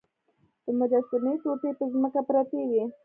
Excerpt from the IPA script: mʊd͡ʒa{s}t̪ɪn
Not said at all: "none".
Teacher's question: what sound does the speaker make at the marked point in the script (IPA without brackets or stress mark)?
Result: s